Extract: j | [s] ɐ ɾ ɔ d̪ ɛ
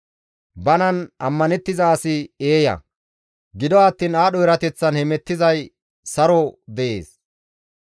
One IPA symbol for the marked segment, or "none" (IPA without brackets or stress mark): s